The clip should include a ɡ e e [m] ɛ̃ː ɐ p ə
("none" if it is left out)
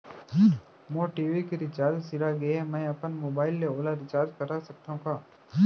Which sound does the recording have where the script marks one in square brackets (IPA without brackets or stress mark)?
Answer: m